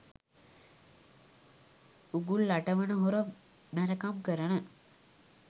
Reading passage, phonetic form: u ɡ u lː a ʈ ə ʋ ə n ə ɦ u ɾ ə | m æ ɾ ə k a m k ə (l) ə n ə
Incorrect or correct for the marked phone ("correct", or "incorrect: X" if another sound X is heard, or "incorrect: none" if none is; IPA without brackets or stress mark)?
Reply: incorrect: ɾ